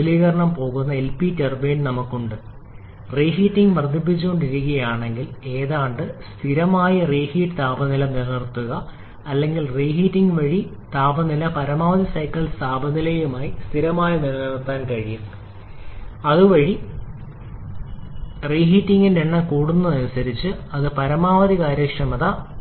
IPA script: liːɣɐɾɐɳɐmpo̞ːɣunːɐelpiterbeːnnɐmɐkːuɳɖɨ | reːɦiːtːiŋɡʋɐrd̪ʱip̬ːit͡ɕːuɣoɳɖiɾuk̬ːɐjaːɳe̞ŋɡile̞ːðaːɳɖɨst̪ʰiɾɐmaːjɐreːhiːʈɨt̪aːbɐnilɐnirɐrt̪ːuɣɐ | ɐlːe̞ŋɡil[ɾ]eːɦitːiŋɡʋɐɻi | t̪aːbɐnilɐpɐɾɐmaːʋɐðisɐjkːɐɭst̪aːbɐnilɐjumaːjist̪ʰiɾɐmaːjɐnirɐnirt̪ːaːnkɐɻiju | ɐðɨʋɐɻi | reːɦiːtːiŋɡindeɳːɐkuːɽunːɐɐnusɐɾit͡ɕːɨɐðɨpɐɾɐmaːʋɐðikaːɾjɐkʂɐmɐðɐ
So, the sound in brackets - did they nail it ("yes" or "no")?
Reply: no